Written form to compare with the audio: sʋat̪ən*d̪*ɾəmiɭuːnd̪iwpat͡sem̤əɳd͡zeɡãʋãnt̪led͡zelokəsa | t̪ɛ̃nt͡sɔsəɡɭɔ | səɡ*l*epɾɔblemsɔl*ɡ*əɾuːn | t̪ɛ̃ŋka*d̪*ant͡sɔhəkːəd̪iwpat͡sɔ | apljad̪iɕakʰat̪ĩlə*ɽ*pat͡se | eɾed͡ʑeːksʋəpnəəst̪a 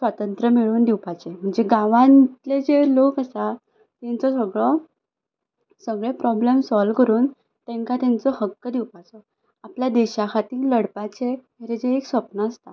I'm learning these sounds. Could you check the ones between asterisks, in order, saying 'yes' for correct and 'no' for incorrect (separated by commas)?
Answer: no, no, no, no, yes